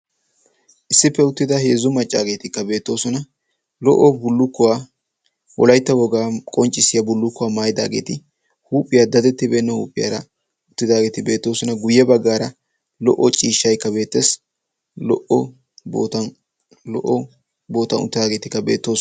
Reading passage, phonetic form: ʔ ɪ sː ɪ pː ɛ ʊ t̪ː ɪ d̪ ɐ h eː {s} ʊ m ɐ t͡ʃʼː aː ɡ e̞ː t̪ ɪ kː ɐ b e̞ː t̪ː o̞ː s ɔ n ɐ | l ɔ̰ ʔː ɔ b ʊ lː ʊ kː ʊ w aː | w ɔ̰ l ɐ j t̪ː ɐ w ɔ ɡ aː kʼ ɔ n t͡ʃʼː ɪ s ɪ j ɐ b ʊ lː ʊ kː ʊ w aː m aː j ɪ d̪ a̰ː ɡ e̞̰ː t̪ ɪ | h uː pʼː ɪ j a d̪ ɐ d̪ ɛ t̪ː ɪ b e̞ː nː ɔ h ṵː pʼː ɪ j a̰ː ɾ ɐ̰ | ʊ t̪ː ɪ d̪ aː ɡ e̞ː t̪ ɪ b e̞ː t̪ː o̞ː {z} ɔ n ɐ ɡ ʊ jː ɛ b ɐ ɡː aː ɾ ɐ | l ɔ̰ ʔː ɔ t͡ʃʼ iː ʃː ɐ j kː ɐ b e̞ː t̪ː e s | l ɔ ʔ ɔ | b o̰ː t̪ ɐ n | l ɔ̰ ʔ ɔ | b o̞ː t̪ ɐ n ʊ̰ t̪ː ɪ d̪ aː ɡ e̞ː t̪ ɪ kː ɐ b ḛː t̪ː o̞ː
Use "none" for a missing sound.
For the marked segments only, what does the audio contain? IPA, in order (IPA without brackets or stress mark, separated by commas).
z, s